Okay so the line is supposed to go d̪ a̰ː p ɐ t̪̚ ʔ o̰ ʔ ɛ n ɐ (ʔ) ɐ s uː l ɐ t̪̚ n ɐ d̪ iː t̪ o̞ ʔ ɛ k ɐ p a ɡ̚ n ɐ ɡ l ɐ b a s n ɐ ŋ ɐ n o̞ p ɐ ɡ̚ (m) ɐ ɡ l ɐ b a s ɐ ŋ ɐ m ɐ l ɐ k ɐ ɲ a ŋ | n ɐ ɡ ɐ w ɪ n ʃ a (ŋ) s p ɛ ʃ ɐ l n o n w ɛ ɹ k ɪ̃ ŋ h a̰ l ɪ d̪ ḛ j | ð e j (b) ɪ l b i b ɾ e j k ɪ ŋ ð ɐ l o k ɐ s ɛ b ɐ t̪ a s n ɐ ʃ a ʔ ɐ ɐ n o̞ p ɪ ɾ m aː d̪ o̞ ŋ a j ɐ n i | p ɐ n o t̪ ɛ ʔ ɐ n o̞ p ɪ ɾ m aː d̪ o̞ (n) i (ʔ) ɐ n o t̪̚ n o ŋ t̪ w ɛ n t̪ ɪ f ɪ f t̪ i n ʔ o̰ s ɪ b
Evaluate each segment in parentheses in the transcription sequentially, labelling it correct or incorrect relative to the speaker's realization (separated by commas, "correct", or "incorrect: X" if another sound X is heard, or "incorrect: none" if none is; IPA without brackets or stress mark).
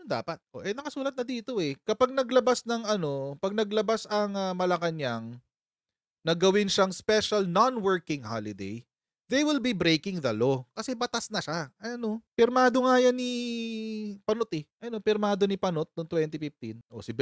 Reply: incorrect: k, incorrect: n, correct, incorrect: w, correct, incorrect: p